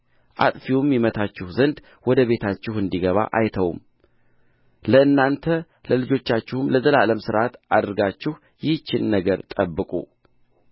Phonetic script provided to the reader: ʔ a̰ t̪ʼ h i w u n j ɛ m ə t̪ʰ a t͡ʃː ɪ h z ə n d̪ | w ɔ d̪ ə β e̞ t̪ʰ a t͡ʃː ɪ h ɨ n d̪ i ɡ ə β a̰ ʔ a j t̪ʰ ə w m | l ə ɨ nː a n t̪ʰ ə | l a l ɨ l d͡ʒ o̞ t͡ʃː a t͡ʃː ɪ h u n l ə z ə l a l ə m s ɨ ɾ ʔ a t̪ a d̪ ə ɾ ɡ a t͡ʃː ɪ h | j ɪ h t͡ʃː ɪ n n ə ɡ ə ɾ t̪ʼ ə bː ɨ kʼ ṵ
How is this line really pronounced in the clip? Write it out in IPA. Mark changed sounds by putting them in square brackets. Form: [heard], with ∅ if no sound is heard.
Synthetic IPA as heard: ʔ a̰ t̪ʼ [f] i w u [m] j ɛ m ə t̪ʰ a t͡ʃː ɪ h z ə n d̪ | w ɔ d̪ ə β e̞ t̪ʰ a t͡ʃː ɪ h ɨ n d̪ i ɡ ə β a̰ ʔ a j t̪ʰ ə w m | l ə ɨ nː a n t̪ʰ ə | l [ə] l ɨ [∅] d͡ʒ o̞ t͡ʃː a t͡ʃː ɪ h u [m] l ə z ə l a l ə m s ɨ ɾ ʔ a t̪ a d̪ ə ɾ ɡ a t͡ʃː ɪ h | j ɪ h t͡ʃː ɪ n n ə ɡ ə ɾ t̪ʼ ə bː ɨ kʼ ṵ